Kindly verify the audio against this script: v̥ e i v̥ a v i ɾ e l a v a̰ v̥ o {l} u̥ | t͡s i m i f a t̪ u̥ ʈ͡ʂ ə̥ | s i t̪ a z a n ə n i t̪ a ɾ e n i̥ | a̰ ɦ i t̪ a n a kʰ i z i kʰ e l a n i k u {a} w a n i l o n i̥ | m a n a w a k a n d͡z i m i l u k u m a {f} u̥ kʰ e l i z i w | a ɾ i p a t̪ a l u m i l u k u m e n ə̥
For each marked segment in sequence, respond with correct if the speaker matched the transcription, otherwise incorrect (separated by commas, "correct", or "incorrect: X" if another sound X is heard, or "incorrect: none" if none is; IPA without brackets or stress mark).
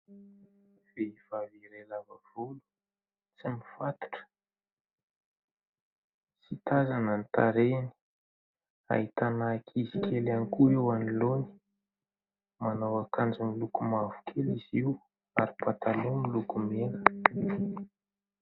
correct, incorrect: e, incorrect: v